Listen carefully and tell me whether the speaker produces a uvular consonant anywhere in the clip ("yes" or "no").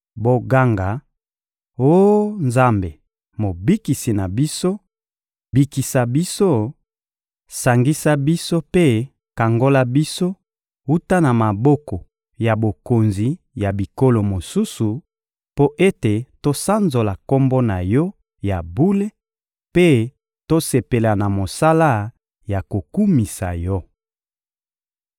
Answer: no